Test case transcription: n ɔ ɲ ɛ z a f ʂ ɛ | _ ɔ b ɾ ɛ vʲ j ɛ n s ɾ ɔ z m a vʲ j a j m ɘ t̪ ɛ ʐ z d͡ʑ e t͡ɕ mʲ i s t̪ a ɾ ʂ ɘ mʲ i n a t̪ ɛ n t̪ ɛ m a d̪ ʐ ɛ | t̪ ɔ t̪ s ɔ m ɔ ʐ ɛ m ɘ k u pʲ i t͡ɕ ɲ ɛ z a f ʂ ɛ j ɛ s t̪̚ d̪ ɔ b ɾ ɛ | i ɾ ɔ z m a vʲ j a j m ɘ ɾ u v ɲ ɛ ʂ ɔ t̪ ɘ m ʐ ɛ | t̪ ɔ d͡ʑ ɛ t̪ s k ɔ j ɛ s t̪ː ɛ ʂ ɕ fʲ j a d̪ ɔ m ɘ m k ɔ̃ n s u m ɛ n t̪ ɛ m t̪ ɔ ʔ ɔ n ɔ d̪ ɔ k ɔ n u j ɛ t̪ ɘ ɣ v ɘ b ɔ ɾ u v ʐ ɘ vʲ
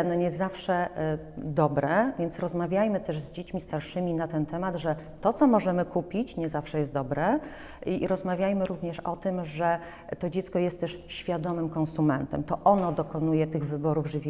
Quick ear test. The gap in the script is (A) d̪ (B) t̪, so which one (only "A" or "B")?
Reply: A